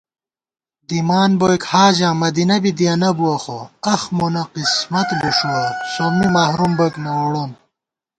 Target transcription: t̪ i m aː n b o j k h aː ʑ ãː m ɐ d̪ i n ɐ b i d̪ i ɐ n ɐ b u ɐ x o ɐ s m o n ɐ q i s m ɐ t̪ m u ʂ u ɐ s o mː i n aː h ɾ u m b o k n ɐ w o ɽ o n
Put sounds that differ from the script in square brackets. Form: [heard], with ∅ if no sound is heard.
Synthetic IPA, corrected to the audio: [d̪] i m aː n b o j k h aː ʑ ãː m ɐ d̪ i n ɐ b i d̪ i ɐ n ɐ b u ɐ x o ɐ [x] m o n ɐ q i s m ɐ t̪ [b] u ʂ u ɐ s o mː i [m] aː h ɾ u m b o k n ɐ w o ɽ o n